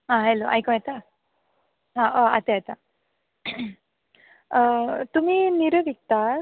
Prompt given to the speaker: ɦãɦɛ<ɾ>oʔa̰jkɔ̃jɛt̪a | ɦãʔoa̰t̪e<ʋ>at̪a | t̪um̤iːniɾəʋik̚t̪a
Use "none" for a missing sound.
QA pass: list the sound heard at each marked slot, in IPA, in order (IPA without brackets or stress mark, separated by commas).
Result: l, none